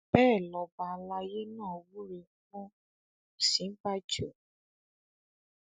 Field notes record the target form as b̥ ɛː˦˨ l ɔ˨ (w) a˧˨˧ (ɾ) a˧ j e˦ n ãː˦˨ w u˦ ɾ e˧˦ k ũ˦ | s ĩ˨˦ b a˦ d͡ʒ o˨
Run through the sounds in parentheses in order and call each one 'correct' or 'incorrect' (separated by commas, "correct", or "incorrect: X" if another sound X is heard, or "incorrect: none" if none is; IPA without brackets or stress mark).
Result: incorrect: b, incorrect: l